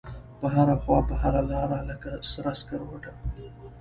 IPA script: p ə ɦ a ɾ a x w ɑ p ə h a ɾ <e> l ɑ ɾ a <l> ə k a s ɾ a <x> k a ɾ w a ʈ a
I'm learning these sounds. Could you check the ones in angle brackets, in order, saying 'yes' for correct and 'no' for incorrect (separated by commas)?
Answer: no, yes, no